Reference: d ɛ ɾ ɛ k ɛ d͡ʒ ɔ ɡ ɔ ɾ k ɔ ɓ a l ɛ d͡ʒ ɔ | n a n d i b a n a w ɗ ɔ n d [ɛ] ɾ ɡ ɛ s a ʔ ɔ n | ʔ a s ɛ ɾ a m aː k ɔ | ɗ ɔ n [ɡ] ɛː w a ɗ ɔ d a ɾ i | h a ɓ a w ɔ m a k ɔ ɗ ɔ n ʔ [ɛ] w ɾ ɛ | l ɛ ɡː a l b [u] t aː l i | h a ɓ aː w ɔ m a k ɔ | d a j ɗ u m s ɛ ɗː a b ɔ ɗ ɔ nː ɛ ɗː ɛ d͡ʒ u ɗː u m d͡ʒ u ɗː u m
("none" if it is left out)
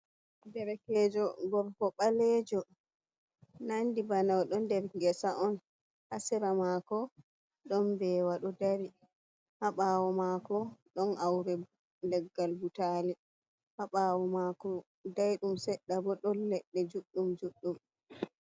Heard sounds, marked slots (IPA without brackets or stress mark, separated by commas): ɛ, b, a, u